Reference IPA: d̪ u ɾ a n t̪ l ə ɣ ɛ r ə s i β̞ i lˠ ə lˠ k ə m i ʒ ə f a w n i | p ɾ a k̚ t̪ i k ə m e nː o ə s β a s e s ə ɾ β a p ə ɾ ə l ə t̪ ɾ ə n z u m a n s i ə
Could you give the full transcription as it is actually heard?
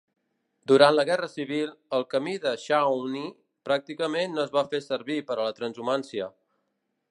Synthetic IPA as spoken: d̪ u ɾ a n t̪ l ə ɣ ɛ r ə s i β̞ i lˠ ə lˠ k ə m i ð ə ʃ a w n i | p ɾ a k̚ t̪ i k ə m e nː o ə z β a f e s ə ɾ β i p ə ɾ ə l ə t̪ ɾ ə n z u m a n s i ə